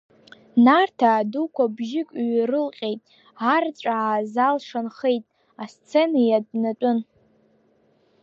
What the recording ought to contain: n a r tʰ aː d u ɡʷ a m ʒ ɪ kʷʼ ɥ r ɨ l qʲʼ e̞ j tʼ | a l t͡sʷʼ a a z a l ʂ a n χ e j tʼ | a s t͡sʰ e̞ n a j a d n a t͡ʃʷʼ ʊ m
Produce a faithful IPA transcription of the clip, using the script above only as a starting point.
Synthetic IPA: n a r tʰ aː d u kʷ a b ʒ ɪ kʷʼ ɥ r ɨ l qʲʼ e̞ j tʼ | a r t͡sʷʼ a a z a l ʂ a n χ e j tʼ | a s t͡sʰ e̞ n a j a d n a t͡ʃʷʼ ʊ n